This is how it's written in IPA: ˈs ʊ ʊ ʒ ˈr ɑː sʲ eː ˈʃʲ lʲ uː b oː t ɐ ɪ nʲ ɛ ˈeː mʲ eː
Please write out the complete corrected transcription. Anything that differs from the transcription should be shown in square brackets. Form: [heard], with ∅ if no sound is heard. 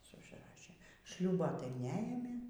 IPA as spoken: ˈs ʊ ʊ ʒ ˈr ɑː [ʃʲ] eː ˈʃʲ lʲ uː b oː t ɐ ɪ nʲ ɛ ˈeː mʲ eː